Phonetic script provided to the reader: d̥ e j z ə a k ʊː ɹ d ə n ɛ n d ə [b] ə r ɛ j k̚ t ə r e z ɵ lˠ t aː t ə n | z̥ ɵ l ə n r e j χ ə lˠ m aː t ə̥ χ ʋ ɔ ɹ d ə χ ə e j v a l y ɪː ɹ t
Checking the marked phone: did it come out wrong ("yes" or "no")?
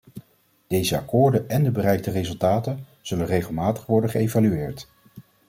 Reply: no